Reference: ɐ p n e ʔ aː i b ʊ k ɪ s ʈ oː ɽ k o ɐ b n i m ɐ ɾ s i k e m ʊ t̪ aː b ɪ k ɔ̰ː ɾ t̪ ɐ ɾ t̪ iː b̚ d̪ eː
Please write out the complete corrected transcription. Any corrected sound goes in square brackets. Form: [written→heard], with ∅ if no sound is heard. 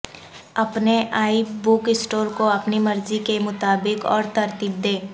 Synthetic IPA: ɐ p n e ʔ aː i b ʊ k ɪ s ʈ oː [ɽ→ɾ] k o ɐ [b→p] n i m ɐ ɾ [s→z] i k e m ʊ t̪ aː b ɪ k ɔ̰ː ɾ t̪ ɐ ɾ t̪ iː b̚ d̪ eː